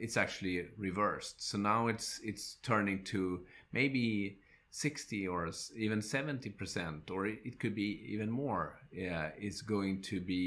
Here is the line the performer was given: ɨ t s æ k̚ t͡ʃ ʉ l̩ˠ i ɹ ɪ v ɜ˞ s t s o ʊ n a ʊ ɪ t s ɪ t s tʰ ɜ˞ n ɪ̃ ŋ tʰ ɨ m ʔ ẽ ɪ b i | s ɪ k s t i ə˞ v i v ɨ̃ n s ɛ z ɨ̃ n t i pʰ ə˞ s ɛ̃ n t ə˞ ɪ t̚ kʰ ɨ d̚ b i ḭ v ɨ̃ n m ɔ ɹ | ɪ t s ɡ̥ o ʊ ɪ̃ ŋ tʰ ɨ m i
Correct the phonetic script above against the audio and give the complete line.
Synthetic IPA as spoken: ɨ t s æ k̚ t͡ʃ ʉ l̩ˠ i ɹ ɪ v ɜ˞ s t s o ʊ n a ʊ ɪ t s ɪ t s tʰ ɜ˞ n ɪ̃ ŋ tʰ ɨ m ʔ e ɪ b i | s ɪ k s t i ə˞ i v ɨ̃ n s ɛ v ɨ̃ n t i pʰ ə˞ s ɛ̃ n t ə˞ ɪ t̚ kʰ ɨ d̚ b i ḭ v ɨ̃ n m ɔ ɹ | ɪ t s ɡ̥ o ʊ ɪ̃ ŋ tʰ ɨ b i